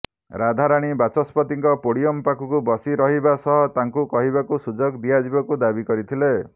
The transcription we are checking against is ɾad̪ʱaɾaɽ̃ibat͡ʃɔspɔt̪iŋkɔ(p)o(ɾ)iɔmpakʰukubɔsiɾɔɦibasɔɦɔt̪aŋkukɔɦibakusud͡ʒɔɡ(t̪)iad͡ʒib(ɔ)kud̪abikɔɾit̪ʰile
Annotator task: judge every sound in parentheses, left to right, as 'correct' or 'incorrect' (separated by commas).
correct, incorrect, incorrect, correct